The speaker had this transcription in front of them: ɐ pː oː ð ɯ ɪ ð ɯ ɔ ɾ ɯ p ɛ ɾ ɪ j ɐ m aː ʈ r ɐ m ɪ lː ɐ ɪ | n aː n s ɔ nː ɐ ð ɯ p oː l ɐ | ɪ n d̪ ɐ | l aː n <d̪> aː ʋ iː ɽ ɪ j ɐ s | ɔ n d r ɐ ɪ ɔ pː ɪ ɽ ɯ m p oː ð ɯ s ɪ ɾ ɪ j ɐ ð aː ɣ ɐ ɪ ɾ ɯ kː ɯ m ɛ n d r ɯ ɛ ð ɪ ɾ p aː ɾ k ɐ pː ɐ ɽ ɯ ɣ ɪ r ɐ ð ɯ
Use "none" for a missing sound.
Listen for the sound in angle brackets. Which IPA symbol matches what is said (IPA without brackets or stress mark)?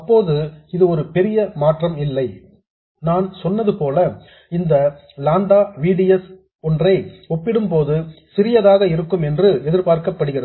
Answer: d̪